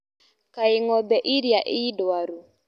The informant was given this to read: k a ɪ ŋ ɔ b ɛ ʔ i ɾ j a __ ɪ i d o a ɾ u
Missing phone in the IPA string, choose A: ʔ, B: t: A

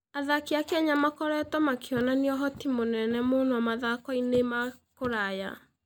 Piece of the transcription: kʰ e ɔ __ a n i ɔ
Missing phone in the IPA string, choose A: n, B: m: A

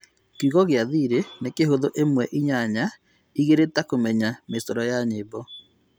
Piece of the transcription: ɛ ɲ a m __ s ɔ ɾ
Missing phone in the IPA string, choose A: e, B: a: A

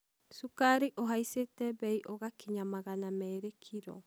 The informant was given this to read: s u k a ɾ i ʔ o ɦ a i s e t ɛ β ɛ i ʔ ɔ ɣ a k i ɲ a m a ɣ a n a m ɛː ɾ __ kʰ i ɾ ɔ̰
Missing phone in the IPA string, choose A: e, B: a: A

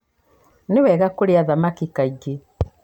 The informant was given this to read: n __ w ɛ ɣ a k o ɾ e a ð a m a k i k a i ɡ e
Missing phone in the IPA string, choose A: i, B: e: B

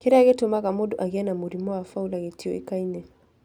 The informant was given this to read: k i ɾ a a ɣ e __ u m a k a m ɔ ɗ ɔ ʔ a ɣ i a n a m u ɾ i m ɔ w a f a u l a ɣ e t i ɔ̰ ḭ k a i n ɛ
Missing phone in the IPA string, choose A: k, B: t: B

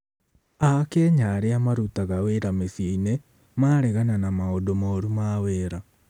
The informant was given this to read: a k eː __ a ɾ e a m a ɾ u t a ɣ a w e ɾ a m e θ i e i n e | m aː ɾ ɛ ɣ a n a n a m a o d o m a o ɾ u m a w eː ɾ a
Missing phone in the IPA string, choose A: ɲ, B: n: A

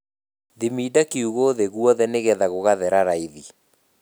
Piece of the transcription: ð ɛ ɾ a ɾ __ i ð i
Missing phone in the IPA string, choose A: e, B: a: B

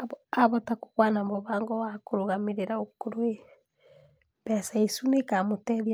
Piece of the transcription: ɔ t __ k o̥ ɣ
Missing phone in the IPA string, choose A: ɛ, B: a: B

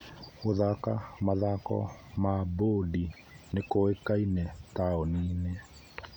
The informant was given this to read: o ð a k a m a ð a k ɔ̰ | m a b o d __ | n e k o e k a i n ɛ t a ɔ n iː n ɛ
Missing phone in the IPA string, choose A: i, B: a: A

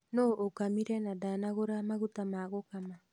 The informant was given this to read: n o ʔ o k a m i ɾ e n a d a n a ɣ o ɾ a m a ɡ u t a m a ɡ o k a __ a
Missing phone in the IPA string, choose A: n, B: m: B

